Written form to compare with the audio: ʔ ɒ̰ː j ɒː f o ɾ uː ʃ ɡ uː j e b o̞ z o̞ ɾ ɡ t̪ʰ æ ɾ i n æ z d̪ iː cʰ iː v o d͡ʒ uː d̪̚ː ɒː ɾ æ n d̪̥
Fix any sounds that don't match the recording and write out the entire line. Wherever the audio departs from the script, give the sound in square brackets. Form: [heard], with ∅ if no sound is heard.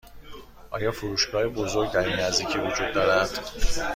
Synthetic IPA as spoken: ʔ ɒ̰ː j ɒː f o ɾ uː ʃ ɡ [ɒː] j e b o̞ z o̞ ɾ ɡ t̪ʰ æ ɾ i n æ z d̪ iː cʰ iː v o d͡ʒ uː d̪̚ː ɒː ɾ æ n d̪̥